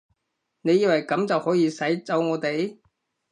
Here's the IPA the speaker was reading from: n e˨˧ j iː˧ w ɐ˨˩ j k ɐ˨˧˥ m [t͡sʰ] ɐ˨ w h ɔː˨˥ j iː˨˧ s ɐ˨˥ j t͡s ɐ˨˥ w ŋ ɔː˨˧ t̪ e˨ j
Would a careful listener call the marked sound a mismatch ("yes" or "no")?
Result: yes